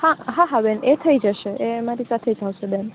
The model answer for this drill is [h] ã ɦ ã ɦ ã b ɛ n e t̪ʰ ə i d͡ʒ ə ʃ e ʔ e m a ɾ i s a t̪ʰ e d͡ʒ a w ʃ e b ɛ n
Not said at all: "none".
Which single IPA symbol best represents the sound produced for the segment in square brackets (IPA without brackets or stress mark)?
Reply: h